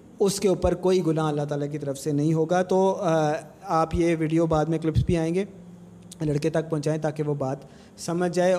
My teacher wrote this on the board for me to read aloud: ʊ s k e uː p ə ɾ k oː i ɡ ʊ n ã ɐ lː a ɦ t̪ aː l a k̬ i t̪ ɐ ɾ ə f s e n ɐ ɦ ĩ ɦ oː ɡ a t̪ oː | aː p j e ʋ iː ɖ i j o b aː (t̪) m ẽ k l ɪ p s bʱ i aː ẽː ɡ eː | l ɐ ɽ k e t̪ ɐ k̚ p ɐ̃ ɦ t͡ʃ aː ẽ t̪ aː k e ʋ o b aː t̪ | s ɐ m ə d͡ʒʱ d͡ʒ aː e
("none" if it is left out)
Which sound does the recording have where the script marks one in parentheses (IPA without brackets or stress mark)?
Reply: d̪